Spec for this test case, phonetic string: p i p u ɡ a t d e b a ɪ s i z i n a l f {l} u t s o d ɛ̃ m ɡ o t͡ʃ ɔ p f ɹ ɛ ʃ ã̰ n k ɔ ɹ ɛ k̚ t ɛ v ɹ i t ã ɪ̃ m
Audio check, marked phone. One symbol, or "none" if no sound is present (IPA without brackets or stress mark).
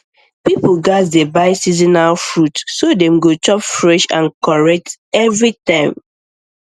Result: ɹ